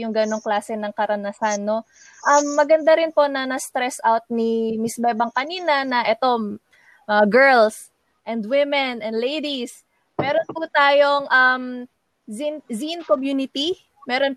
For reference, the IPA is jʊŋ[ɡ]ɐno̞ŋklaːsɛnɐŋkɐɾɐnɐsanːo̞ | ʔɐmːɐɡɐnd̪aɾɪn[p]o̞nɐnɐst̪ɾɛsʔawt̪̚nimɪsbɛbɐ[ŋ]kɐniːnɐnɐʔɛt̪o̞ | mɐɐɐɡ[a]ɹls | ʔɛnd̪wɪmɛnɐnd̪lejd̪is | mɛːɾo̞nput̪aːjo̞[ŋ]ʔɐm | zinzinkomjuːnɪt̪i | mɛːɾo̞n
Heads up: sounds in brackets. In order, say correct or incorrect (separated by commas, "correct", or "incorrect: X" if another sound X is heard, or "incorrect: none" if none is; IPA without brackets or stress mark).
correct, correct, correct, incorrect: ɛ, correct